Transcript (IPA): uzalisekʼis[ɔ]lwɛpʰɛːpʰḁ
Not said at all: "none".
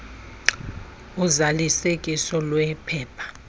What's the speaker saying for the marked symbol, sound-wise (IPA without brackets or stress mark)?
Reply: ɔ